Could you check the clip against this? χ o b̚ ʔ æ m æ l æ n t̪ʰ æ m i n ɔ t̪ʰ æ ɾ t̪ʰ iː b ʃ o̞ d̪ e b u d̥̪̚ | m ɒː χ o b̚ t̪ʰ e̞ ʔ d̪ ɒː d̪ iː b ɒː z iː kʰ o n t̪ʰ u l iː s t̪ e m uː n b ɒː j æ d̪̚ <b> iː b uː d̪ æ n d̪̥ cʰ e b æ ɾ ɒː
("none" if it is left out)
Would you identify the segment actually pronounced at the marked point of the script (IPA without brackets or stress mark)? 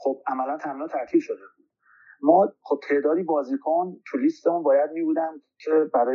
m